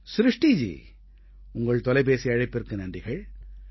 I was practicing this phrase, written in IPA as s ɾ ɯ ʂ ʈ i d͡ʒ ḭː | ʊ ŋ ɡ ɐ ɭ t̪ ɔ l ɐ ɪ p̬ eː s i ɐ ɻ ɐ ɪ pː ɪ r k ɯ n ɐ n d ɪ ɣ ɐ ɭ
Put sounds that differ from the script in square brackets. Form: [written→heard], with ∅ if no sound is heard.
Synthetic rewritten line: s ɾ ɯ ʂ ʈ i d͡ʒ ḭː | ʊ ŋ ɡ ɐ ɭ t̪ ɔ l ɐ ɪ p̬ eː s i ɐ ɻ ɐ ɪ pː ɪ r k ɯ n ɐ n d ɪ ɣ ɐ ɭ